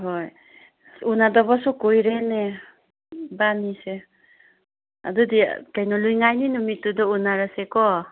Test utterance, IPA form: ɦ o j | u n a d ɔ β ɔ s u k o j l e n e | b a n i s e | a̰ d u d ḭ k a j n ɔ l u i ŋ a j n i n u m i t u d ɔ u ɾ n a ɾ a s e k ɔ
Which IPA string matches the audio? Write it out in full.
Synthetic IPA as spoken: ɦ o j | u n a d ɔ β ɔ s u k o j ɾ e n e | b a n i s e | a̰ d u d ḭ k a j n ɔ l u j ŋ a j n i n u m i t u d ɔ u n a ɾ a s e k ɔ